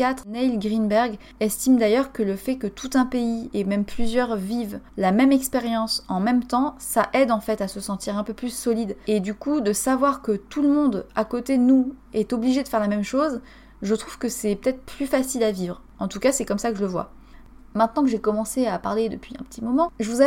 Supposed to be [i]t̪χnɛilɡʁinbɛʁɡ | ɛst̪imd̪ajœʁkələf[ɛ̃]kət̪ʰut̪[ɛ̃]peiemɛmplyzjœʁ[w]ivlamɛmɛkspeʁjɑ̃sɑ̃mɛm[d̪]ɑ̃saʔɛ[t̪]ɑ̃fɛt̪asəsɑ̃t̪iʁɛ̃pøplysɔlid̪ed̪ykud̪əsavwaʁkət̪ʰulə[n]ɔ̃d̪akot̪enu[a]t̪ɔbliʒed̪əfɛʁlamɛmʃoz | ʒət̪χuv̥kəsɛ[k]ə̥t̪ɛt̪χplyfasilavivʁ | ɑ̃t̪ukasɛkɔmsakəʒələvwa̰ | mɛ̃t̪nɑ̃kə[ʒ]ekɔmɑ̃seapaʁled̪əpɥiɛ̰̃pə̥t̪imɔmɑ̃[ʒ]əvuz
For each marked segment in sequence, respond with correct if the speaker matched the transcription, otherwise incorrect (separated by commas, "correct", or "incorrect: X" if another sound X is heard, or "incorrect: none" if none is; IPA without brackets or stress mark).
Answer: incorrect: a, incorrect: ɛ, correct, incorrect: v, incorrect: t̪, incorrect: d̪, incorrect: m, incorrect: ɛ, incorrect: p, correct, correct